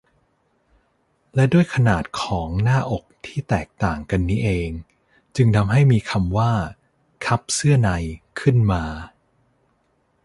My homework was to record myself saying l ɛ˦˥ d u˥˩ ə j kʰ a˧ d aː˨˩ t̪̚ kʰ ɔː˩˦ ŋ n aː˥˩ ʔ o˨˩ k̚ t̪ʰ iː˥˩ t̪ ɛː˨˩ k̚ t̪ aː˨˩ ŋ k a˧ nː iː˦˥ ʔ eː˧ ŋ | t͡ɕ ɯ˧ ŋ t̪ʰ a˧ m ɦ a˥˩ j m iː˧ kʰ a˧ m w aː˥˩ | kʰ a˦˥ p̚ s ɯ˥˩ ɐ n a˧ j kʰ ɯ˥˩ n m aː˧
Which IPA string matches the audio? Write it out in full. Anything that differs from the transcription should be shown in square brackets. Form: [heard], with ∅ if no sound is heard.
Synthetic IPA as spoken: l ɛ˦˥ d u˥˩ ə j kʰ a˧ [n] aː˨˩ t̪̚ kʰ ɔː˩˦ ŋ n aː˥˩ ʔ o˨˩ k̚ t̪ʰ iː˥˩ t̪ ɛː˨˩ k̚ t̪ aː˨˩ ŋ k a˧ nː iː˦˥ ʔ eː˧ ŋ | t͡ɕ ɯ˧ ŋ t̪ʰ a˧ m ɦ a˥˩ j m iː˧ kʰ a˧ m w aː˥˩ | kʰ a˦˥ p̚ s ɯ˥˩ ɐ n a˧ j kʰ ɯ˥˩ n m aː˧